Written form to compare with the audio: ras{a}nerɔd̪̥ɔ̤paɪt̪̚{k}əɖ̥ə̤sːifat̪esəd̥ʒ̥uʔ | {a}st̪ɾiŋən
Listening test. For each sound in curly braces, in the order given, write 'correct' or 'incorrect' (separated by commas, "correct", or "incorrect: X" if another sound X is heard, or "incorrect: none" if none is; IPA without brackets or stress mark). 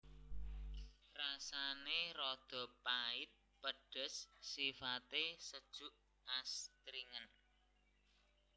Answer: correct, incorrect: p, correct